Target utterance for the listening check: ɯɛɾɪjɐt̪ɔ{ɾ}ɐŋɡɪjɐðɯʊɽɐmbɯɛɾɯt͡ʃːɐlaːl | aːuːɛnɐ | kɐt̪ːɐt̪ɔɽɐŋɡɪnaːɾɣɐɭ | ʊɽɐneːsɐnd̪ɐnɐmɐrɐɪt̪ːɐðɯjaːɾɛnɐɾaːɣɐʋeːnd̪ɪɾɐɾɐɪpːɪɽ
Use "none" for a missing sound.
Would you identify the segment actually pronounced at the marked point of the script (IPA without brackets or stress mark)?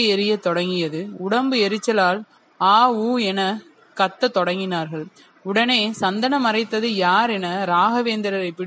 ɽ